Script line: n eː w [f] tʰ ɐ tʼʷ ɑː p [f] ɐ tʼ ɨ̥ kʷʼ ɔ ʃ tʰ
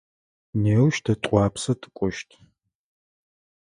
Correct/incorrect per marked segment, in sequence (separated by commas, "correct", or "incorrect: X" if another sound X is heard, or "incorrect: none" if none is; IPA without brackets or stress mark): incorrect: ʃ, incorrect: s